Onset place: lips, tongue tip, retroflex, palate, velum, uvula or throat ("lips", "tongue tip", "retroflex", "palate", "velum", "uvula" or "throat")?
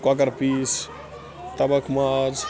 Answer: velum